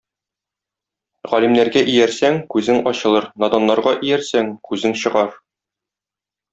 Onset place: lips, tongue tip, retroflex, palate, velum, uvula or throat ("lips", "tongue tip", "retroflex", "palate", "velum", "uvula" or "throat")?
uvula